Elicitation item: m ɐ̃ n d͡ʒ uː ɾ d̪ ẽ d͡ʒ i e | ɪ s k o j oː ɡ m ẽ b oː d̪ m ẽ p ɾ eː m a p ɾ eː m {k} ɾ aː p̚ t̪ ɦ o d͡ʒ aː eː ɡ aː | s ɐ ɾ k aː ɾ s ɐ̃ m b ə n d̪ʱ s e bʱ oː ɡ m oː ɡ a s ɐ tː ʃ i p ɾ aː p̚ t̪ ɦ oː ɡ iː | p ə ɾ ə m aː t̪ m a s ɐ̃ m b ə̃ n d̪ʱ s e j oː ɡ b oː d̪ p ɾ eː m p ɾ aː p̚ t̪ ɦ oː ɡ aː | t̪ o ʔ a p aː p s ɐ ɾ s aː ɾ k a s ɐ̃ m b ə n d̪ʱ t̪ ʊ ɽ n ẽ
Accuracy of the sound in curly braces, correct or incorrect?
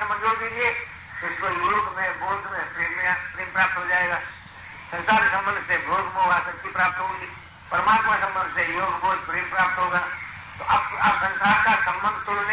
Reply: incorrect